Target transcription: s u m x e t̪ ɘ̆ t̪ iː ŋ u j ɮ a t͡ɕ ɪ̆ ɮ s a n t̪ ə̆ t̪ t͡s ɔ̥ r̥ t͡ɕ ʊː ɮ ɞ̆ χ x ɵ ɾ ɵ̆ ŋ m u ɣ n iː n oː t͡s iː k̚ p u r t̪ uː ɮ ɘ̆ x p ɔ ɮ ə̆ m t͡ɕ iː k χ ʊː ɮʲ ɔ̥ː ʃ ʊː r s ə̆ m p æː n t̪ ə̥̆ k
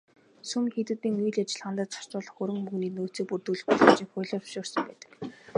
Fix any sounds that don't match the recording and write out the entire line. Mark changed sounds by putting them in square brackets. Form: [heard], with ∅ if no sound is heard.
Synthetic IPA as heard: s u m x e t̪ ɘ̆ t̪ iː ŋ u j ɮ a t͡ɕ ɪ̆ ɮ [χ] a n t̪ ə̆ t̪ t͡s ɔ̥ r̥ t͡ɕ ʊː ɮ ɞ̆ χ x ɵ ɾ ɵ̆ ŋ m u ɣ n iː n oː t͡s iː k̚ p u r t̪ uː ɮ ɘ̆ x p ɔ ɮ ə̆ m t͡ɕ iː k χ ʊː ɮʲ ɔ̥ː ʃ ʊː r s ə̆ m p æː [∅] t̪ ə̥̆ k